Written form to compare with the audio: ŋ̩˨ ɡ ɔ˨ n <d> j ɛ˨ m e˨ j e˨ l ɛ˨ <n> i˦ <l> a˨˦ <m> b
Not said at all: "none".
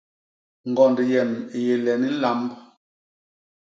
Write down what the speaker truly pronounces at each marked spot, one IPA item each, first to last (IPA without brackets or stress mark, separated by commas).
d, n, l, m